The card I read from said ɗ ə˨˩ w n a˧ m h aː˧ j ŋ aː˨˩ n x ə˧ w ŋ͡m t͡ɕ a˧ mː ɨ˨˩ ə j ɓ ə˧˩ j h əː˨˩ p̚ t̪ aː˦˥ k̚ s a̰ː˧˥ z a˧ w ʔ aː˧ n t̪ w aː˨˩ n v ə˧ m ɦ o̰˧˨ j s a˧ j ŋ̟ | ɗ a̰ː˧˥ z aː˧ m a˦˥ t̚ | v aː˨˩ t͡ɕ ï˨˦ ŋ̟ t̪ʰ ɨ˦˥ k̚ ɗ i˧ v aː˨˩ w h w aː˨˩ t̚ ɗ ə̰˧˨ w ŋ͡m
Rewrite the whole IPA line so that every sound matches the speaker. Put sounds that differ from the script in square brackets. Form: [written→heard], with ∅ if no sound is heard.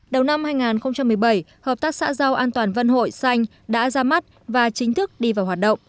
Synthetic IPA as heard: ɗ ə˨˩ w n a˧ m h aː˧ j ŋ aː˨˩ n x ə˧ w ŋ͡m t͡ɕ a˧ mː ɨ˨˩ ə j ɓ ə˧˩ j h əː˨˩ p̚ t̪ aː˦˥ k̚ s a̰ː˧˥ z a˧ w ʔ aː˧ n t̪ w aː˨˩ n v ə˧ [m→n] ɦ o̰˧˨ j s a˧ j ŋ̟ | ɗ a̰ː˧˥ z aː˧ m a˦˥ t̚ | v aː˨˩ t͡ɕ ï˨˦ ŋ̟ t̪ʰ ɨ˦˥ k̚ ɗ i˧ v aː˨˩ w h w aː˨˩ t̚ ɗ ə̰˧˨ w ŋ͡m